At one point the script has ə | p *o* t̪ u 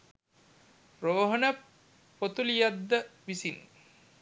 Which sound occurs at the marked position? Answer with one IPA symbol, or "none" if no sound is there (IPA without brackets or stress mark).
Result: o